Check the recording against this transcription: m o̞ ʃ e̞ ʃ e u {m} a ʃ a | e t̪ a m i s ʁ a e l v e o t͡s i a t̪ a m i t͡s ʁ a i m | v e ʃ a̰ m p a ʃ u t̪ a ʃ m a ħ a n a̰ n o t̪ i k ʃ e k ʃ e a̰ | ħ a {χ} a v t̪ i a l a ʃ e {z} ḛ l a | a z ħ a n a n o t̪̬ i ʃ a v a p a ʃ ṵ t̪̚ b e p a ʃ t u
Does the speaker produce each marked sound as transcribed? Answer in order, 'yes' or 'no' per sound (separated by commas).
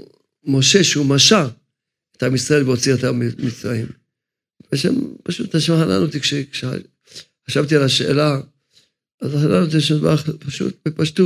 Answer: yes, no, no